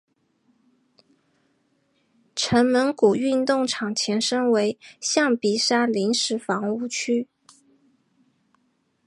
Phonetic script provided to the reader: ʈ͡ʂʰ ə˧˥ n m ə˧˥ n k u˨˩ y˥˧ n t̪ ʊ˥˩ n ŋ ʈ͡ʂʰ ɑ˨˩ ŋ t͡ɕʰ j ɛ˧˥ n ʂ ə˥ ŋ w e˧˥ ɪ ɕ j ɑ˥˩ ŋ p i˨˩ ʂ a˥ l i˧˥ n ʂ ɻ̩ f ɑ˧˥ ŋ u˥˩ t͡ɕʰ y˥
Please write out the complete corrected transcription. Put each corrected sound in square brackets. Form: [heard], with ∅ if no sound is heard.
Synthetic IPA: ʈ͡ʂʰ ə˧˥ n m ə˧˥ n k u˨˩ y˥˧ n t̪ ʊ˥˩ [∅] ŋ ʈ͡ʂʰ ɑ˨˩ ŋ t͡ɕʰ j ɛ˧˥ n ʂ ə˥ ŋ w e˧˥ ɪ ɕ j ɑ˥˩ ŋ p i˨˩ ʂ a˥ l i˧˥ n ʂ ɻ̩ f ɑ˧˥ ŋ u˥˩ t͡ɕʰ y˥